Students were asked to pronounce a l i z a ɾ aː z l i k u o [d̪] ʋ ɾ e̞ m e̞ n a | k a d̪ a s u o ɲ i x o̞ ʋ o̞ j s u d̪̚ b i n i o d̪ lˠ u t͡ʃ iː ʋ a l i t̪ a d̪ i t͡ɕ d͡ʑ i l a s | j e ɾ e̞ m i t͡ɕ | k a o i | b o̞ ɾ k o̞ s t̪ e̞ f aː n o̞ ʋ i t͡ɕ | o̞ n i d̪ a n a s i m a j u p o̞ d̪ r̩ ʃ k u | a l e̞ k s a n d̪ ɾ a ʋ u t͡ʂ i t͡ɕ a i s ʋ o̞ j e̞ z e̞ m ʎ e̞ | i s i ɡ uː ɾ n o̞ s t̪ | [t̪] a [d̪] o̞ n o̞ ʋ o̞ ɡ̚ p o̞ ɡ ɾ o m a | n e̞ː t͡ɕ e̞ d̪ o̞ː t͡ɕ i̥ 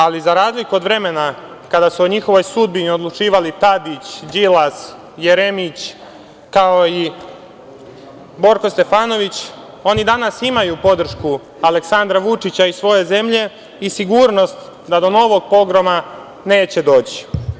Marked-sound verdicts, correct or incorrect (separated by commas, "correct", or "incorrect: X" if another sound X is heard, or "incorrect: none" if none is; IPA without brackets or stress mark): correct, incorrect: d̪, correct